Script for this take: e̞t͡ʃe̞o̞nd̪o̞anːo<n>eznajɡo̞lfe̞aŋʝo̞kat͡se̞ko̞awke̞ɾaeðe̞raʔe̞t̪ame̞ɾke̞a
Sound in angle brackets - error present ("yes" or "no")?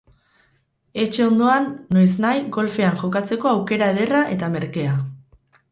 yes